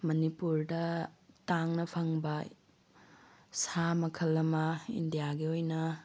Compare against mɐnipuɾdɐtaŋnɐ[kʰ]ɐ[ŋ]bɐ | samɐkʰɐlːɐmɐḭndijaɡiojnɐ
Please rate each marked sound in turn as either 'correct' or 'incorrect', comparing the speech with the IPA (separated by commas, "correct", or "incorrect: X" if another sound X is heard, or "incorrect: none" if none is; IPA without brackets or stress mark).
incorrect: pʰ, correct